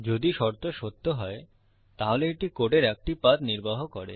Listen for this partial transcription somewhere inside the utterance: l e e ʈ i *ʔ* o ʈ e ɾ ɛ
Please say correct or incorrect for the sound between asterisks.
incorrect